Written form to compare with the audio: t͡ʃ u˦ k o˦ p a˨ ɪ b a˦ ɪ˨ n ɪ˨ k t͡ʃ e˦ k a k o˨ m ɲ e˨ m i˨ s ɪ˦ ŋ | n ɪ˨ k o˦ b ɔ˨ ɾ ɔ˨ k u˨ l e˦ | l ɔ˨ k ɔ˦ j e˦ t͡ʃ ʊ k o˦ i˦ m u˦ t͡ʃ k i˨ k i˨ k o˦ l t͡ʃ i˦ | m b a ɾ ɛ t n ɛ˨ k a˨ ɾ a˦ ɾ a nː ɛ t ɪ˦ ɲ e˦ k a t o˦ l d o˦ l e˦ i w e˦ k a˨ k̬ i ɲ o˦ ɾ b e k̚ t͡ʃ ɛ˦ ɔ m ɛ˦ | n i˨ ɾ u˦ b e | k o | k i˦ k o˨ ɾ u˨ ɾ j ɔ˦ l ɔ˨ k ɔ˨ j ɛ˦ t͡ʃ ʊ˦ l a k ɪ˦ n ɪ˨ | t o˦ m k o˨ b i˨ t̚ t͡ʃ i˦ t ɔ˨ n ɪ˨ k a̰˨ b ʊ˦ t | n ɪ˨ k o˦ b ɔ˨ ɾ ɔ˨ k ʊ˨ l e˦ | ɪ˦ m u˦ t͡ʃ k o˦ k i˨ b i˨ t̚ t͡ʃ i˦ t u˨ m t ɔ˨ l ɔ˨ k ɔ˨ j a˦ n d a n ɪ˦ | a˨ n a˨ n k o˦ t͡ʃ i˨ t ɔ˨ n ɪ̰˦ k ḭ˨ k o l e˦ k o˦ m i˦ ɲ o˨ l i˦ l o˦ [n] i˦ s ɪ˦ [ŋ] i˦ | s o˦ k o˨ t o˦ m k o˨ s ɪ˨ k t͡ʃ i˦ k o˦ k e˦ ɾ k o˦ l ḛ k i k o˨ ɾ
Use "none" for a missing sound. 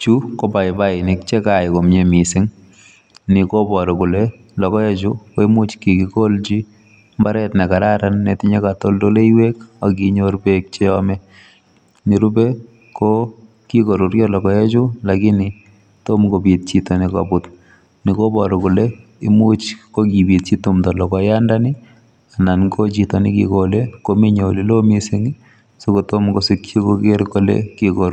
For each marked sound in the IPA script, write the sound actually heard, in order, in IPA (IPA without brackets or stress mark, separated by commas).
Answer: m, ŋ